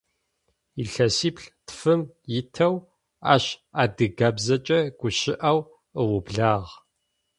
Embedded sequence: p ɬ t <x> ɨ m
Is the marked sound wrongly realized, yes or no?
yes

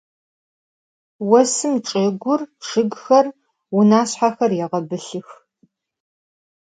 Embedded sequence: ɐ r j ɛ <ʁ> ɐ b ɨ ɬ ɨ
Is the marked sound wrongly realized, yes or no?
no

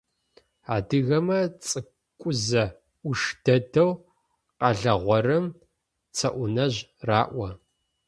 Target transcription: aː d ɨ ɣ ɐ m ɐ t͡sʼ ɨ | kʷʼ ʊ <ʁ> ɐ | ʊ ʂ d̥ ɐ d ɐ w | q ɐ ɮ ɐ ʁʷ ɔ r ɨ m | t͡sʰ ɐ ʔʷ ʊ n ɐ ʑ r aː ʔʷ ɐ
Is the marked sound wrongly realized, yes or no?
yes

